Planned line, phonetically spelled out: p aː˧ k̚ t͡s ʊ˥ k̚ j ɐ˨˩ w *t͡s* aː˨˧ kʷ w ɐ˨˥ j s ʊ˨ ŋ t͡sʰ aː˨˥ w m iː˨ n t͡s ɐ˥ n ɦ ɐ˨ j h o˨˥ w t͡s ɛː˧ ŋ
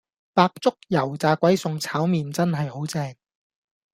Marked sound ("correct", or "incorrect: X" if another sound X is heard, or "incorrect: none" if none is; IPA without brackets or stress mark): correct